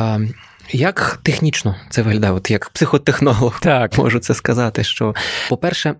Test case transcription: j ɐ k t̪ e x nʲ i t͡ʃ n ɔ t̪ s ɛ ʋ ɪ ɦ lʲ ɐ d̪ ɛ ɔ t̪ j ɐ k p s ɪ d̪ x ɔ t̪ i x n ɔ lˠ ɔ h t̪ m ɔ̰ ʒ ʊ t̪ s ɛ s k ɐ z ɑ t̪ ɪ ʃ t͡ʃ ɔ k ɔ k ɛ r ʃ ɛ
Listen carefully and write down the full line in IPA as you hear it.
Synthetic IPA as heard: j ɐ k t̪ e x nʲ i t͡ʃ n ɔ t̪ s ɛ ʋ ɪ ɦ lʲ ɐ d̪ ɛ ɔ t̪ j ɐ k p s ɪ x ɔ t̪ e x n ɔ lˠ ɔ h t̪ m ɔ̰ ʒ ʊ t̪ s ɛ s k ɐ z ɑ t̪ ɪ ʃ t͡ʃ ɔ p ɔ p ɛ r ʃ ɛ